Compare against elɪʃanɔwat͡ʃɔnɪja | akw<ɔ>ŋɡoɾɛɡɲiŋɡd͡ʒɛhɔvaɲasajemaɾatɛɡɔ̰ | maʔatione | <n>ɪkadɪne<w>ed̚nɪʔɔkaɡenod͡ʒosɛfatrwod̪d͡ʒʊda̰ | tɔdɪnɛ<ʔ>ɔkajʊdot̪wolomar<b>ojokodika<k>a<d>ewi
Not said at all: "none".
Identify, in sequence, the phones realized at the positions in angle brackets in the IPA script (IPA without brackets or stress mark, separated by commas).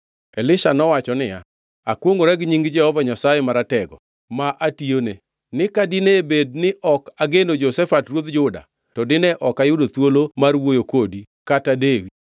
o, n, b, ʔ, w, t, d